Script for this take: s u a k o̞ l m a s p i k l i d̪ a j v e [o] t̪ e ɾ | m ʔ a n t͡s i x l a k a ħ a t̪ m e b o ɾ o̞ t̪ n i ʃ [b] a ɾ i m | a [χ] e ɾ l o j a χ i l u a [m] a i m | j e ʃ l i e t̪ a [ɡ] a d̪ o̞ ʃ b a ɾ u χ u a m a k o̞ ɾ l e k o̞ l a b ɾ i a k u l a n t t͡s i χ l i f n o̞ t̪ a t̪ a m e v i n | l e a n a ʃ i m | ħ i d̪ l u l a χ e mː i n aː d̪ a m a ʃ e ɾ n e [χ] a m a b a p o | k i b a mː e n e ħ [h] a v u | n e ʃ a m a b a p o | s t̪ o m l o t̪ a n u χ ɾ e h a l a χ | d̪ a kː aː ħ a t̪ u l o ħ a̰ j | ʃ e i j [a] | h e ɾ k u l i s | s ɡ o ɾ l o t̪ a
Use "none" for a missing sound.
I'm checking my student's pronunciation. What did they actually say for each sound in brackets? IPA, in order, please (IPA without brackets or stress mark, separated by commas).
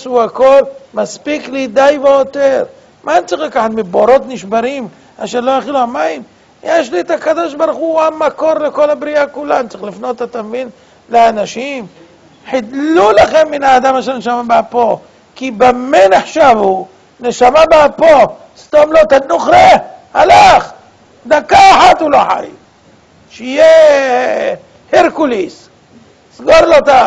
o, b, ʃ, m, k, ʃ, ʃ, e